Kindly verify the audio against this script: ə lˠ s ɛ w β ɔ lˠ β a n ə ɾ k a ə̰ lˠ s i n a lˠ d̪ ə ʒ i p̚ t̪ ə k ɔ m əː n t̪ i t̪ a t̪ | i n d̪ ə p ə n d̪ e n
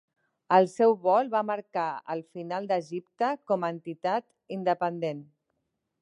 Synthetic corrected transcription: ə lˠ s ɛ w β ɔ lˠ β a m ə ɾ k a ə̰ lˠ f i n a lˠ d̪ ə ʒ i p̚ t̪ ə k ɔ m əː n t̪ i t̪ a t̪ | i n d̪ ə p ə n d̪ e n

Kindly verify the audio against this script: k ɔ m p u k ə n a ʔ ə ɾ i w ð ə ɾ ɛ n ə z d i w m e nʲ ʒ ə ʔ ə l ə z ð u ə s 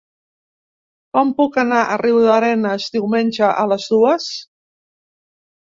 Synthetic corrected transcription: k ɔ m p u k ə n a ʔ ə r i w ð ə ɾ ɛ n ə z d i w m e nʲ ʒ ə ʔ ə l ə z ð u ə s

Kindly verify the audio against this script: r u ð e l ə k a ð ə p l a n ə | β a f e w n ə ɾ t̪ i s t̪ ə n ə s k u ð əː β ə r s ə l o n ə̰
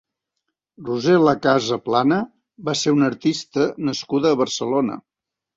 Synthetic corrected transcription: r u z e l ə k a z ə p l a n ə | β a s e u n ə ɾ t̪ i s t̪ ə n ə s k u ð əː β ə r s ə l o n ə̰

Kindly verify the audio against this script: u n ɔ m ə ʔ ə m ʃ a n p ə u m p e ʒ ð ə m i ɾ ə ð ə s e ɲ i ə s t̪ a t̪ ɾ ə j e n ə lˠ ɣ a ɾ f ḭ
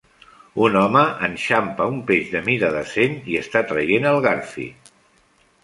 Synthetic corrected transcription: u n ɔ m ə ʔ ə n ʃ a m p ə u m p e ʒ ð ə m i ɾ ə ð ə s e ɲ i ə s t̪ a t̪ ɾ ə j e n ə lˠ ɣ a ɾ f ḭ

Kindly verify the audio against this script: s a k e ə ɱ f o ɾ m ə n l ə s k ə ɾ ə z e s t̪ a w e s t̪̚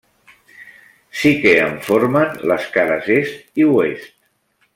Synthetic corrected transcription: s i k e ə ɱ f o ɾ m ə n l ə s k a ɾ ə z e s t̪ i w e s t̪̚

